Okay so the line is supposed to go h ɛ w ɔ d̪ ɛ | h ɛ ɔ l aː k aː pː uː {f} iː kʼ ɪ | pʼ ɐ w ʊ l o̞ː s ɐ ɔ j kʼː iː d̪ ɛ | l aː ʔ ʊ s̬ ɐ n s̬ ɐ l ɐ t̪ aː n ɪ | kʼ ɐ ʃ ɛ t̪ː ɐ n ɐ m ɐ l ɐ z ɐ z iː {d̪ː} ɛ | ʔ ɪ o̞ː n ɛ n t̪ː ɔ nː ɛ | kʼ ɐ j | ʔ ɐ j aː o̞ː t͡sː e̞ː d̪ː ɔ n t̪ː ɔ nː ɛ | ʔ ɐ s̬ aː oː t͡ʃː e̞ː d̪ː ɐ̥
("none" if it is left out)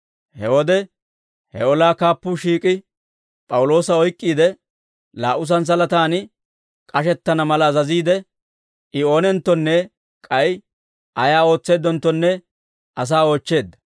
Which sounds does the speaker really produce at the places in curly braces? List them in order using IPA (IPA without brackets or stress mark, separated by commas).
ʃ, d̪